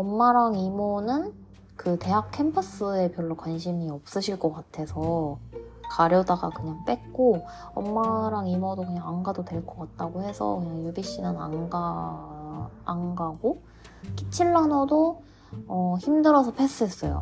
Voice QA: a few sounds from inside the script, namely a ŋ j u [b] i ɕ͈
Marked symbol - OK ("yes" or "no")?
yes